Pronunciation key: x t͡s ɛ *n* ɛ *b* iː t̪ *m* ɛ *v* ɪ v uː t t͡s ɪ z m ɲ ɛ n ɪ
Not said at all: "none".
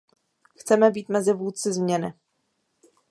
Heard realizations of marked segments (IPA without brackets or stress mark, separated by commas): m, b, m, z